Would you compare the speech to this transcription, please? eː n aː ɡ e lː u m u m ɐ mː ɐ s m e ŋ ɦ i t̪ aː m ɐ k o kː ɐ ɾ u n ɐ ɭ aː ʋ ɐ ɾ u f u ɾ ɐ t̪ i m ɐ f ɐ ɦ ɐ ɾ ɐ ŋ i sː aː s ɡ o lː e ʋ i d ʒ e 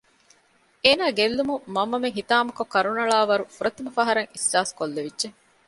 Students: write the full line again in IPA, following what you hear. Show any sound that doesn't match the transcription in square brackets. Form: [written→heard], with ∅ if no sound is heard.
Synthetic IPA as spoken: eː n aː ɡ e lː u m u m ɐ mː ɐ [s→∅] m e ŋ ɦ i t̪ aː m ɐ k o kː ɐ ɾ u n ɐ ɭ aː ʋ ɐ ɾ u f u ɾ ɐ t̪ i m ɐ f ɐ ɦ ɐ ɾ ɐ ŋ i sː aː s [ɡ→k] o lː e ʋ i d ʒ e

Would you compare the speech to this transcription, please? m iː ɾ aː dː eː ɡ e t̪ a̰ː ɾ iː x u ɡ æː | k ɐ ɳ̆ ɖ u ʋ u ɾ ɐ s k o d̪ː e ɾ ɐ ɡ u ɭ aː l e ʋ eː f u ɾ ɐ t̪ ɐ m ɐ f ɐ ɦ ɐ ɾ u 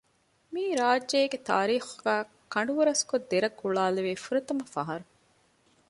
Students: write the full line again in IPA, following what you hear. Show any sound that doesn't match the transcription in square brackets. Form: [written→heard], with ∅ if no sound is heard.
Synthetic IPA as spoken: m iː ɾ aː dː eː ɡ e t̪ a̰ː ɾ iː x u ɡ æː | k ɐ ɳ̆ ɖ u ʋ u ɾ ɐ s k o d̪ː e ɾ ɐ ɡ u ɭ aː l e ʋ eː f u ɾ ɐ t̪ ɐ m ɐ f ɐ ɦ ɐ ɾ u

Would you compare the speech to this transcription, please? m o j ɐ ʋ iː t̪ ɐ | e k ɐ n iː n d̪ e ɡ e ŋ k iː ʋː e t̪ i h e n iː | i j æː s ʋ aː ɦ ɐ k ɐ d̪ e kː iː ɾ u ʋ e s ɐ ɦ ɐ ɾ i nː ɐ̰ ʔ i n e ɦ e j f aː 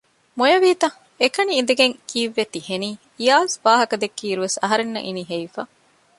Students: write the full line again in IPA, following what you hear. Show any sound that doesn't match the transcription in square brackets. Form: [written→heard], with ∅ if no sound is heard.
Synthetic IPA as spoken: m o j ɐ ʋ iː t̪ ɐ | e k ɐ n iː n d̪ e ɡ e ŋ k iː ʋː e t̪ i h e n iː | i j [æː→aː] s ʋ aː ɦ ɐ k ɐ d̪ e kː iː ɾ u ʋ e s ɐ ɦ ɐ ɾ [i→e] nː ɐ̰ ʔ i n [e→i] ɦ e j f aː

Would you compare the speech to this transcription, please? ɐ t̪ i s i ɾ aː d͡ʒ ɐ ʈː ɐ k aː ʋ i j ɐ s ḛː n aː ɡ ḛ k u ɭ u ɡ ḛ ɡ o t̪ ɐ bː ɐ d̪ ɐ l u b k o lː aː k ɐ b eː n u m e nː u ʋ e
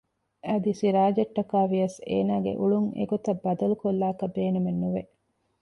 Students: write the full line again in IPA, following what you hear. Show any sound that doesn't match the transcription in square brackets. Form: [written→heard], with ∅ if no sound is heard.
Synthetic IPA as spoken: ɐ [t̪→d̪] i s i ɾ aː d͡ʒ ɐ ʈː ɐ k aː ʋ i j ɐ s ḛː n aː ɡ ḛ [k→ʔ] u ɭ u [ɡ→ŋ] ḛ ɡ o t̪ ɐ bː ɐ d̪ ɐ l u [b→∅] k o lː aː k ɐ b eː n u m e nː u ʋ e

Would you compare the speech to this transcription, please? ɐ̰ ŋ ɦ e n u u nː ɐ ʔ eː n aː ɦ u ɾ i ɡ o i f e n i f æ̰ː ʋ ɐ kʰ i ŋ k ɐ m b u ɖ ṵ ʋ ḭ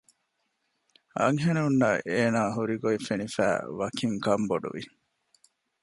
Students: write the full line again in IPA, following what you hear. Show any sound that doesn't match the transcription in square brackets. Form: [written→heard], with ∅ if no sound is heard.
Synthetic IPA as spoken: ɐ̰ ŋ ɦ e n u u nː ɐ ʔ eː n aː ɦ u ɾ i ɡ o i f e n i f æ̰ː ʋ ɐ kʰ i ŋ k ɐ m b [u→o] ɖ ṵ ʋ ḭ

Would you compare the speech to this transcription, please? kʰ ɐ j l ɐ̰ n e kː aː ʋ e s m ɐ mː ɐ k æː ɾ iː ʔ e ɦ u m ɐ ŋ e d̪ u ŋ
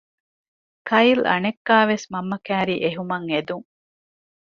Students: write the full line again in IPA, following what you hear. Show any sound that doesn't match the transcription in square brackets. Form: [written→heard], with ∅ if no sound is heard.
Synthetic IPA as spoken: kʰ ɐ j l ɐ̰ n e kː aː ʋ e s m ɐ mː ɐ k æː ɾ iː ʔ e ɦ u m ɐ ŋ e d̪ u ŋ

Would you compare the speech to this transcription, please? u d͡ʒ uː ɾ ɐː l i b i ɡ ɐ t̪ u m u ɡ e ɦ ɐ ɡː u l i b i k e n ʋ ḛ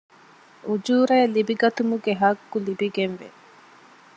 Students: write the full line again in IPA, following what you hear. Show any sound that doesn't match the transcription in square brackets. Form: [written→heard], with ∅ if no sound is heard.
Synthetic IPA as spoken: u d͡ʒ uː ɾ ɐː l i b i ɡ ɐ t̪ u m u ɡ e ɦ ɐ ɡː u l i b i [k→ɡ] e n ʋ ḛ

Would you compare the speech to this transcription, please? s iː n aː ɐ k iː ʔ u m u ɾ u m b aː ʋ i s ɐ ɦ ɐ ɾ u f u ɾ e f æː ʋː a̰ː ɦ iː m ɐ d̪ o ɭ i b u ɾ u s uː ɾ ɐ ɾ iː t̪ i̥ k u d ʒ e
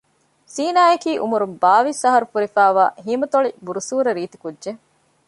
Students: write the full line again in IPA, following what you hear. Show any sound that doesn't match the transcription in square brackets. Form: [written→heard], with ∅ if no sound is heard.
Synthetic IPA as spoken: s iː n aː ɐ k iː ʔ u m u ɾ u m b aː ʋ i s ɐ ɦ ɐ ɾ u f u ɾ [e→i] f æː [ʋː→ʋ] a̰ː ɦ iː m ɐ [d̪→t̪] o ɭ i b u ɾ u s uː ɾ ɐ ɾ iː t̪ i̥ k u d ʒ e

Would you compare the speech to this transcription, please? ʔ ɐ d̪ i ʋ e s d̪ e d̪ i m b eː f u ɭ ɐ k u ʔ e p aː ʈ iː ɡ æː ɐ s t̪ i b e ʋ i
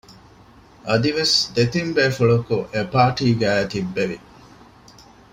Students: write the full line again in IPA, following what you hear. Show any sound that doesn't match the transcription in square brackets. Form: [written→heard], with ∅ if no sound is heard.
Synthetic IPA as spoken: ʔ ɐ d̪ i ʋ e s d̪ e [d̪→t̪] i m b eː f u ɭ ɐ k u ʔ e p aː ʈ iː ɡ æː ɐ [s→∅] t̪ i [b→bː] e ʋ i

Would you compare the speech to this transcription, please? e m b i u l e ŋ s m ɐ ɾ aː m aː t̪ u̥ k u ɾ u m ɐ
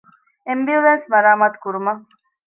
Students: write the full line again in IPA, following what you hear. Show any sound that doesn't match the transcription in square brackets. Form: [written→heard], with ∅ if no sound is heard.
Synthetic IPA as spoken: e m b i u l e [ŋ→n] s m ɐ ɾ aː m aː t̪ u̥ k u ɾ u m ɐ

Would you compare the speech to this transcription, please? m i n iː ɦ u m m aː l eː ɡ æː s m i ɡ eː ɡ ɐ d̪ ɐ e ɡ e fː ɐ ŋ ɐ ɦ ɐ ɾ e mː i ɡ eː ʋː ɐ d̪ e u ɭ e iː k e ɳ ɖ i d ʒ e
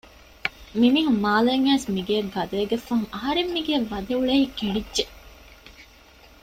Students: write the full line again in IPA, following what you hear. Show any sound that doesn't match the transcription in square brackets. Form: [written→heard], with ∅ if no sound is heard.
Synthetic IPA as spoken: m i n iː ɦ u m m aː l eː [ɡ→ŋ] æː s m i ɡ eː ɡ ɐ d̪ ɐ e ɡ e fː ɐ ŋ ɐ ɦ ɐ ɾ e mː i ɡ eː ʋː ɐ d̪ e u ɭ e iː k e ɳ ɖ i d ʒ e

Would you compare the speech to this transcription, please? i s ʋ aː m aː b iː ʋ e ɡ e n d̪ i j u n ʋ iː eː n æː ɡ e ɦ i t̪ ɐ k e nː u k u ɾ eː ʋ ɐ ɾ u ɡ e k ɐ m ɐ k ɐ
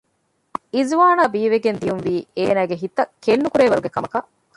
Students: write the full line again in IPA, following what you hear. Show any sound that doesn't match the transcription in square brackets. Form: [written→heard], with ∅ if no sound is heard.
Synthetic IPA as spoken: i [s→z] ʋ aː [m→n] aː b iː ʋ e ɡ e n d̪ i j u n ʋ iː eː n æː ɡ e ɦ i t̪ ɐ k e nː u k u ɾ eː ʋ ɐ ɾ u ɡ e k ɐ m ɐ k ɐ

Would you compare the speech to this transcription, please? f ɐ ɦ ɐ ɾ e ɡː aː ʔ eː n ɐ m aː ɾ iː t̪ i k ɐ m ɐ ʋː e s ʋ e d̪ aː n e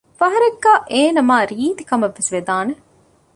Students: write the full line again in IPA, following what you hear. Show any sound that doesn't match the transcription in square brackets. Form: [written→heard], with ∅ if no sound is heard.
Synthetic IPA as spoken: f ɐ ɦ ɐ ɾ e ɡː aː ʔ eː n ɐ m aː ɾ iː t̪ i k ɐ m ɐ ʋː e s ʋ e d̪ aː n e

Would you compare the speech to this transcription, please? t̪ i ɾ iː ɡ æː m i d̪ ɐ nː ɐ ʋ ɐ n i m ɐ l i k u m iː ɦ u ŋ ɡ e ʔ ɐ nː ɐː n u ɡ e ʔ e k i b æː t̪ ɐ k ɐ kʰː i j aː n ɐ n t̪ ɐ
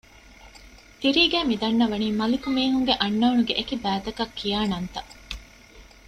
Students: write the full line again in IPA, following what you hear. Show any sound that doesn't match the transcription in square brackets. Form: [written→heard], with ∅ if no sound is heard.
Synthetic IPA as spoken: t̪ i ɾ iː ɡ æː m i d̪ ɐ nː ɐ ʋ ɐ n [i→iː] m ɐ l i k u m iː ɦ u ŋ ɡ e ʔ ɐ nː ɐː n u ɡ e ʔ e k i b æː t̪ ɐ k ɐ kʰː i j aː n ɐ n t̪ ɐ

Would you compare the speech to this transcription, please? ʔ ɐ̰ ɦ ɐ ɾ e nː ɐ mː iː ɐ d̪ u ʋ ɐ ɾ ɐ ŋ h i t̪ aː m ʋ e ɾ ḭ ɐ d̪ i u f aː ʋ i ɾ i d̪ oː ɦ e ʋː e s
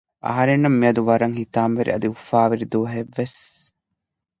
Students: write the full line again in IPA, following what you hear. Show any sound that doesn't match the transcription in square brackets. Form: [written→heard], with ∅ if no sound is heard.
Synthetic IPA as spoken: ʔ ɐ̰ ɦ ɐ ɾ e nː ɐ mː [iː→i] ɐ d̪ u ʋ ɐ ɾ ɐ ŋ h i t̪ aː m ʋ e ɾ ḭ ɐ d̪ i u f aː ʋ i ɾ i d̪ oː ɦ e ʋː e s

